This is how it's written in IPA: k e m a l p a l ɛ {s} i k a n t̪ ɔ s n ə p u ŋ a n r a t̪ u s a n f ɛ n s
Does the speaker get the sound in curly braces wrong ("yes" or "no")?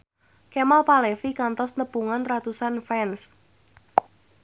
yes